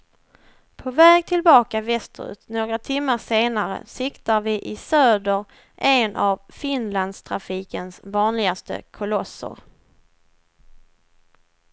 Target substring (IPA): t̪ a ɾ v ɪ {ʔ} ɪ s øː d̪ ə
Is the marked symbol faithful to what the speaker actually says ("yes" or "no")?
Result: yes